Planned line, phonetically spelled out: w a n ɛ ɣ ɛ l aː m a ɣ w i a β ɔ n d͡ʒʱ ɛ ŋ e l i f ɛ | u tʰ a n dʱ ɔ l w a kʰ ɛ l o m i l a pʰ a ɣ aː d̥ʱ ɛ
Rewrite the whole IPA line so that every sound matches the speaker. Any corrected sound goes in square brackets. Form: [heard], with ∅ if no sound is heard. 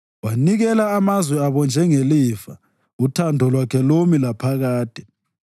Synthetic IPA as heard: w a n [i] ɣ ɛ l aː m a [z] w [ɛ] a β ɔ n d͡ʒʱ ɛ ŋ e l i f [a] | u tʰ a n dʱ ɔ l w a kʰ ɛ l o m i l a pʰ a ɣ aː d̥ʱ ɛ